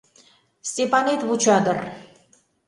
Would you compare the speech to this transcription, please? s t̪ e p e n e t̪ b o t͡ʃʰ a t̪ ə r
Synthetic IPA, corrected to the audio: s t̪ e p a n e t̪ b u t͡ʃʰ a d̪ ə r

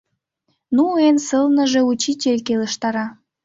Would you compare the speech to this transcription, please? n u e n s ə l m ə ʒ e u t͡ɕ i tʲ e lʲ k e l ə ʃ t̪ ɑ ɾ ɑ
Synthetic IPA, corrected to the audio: n u e n s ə l n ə ʒ e u t͡ɕ i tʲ e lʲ k e l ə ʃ t̪ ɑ ɾ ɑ

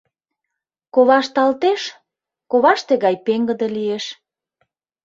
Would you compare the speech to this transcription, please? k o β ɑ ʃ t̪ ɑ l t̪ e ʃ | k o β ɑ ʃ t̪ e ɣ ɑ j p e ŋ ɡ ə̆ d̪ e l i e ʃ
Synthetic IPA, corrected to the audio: k o β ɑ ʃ t̪ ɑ l t̪ e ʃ | k o β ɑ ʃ t̪ e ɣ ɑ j p e ŋ ɡ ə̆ d̪ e l i e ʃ

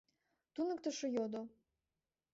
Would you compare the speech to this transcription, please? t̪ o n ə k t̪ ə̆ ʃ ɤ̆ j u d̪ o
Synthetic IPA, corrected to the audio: t̪ u n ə k t̪ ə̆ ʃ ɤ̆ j o d̪ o

